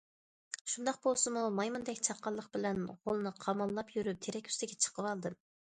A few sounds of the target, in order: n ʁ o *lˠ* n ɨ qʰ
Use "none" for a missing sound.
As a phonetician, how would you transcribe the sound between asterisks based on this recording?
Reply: lˠ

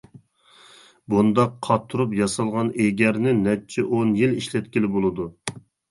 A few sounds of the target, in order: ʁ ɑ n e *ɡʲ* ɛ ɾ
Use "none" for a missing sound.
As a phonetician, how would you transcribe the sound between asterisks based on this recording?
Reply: ɡʲ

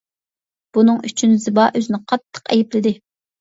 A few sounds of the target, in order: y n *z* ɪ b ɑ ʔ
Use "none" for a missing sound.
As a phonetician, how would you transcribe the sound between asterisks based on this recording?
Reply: z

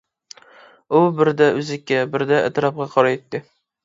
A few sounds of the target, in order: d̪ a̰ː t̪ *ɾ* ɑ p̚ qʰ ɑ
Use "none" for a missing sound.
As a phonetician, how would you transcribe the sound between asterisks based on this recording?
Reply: ɾ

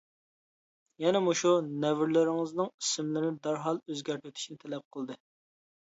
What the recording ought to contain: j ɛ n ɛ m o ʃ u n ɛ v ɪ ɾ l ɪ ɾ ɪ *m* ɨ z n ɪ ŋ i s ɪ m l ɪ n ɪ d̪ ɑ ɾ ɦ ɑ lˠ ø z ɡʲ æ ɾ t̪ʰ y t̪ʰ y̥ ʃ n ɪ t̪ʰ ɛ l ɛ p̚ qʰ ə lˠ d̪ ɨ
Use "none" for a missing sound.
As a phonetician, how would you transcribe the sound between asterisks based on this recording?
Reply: ŋ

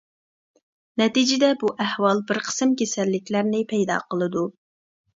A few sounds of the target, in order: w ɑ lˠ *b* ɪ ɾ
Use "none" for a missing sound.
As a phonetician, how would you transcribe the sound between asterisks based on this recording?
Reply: b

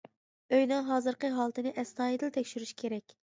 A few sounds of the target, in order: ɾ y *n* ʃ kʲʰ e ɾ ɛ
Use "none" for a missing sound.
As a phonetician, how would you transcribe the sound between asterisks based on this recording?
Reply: none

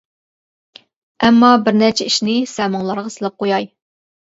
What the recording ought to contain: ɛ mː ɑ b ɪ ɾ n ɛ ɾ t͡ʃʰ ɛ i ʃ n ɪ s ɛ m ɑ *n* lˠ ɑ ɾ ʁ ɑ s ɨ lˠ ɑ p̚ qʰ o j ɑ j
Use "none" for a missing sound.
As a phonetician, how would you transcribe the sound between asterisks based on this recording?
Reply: ŋ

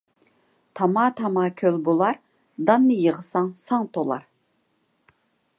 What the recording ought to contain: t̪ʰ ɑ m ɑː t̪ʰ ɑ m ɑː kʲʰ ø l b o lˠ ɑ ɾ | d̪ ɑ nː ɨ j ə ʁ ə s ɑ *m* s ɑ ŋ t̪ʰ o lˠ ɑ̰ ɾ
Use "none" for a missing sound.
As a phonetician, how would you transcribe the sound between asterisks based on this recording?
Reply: ŋ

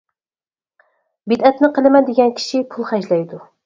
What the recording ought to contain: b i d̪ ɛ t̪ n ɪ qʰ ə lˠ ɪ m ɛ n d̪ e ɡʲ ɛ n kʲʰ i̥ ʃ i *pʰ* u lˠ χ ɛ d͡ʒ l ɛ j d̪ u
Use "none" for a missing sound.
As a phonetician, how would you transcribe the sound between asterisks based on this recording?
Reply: pʰ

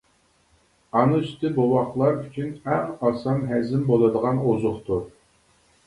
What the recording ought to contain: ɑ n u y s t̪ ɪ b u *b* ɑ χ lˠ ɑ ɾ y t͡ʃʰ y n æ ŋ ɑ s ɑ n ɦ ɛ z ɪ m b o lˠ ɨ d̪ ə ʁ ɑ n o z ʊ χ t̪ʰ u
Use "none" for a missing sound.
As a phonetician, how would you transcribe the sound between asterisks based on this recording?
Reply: w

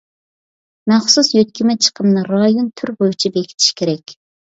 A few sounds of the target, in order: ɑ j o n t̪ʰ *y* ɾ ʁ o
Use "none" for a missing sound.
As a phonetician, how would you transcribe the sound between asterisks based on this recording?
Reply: y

